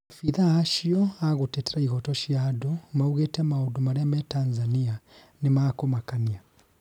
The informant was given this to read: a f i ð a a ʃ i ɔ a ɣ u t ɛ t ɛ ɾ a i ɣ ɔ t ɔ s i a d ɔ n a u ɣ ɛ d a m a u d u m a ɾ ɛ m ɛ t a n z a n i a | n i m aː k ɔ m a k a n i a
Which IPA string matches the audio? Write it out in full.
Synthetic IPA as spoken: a f i ð a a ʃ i ɔ a ɣ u t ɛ t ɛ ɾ a i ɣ ɔ t ɔ ʃ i a d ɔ m a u ɣ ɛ t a m a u d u m a ɾ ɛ m ɛ t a n z a n i a | n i m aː k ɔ m a k a n i a